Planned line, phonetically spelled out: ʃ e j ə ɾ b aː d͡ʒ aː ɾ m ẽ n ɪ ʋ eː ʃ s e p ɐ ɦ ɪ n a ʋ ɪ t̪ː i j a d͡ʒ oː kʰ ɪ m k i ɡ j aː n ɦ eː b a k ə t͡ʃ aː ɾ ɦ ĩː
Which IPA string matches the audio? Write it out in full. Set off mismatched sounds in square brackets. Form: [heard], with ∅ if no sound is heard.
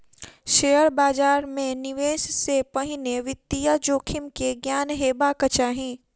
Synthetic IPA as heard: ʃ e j ə ɾ b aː d͡ʒ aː ɾ m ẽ n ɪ ʋ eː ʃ s e p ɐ ɦ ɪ n [e] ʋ ɪ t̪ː i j a d͡ʒ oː kʰ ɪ m k [e] ɡ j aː n ɦ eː b a k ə t͡ʃ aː [∅] ɦ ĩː